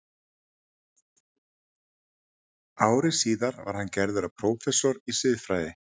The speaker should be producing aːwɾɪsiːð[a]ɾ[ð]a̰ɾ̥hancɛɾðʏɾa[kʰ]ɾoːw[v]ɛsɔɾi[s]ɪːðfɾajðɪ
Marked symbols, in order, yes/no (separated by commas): yes, no, no, no, yes